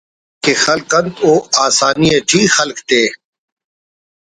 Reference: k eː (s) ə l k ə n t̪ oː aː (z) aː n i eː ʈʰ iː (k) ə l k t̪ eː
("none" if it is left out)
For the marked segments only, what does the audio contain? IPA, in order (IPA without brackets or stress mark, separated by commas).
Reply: x, s, x